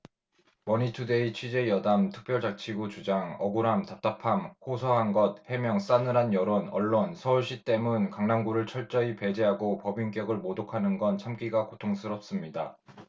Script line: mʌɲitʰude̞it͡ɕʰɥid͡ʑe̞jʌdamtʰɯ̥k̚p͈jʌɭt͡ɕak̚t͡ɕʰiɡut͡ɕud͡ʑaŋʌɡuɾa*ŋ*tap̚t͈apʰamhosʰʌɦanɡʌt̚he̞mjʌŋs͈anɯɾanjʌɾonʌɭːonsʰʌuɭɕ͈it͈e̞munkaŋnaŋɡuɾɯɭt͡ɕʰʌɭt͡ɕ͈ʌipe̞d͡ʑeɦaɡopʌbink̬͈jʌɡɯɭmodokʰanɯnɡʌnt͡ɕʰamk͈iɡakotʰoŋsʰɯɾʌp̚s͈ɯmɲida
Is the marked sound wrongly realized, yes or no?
yes